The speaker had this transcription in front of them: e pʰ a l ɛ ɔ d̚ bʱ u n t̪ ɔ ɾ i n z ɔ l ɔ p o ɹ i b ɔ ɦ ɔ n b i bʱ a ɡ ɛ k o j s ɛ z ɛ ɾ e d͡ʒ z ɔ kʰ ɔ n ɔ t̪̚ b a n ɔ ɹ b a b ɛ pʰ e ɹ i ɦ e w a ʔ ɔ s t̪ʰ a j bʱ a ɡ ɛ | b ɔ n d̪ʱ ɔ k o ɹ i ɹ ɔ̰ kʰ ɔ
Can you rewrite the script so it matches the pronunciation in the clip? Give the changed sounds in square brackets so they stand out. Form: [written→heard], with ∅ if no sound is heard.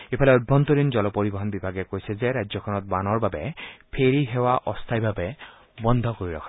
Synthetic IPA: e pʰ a l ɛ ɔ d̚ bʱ [u→ɔ] n t̪ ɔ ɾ i n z ɔ l ɔ p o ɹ i b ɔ ɦ ɔ n b i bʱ a ɡ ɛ k o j s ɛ z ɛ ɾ [e→a] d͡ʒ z ɔ kʰ ɔ n ɔ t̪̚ b a n ɔ ɹ b a b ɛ pʰ e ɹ i ɦ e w a ʔ ɔ s t̪ʰ a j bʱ a [ɡ→b] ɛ | b ɔ n d̪ʱ ɔ k o ɹ i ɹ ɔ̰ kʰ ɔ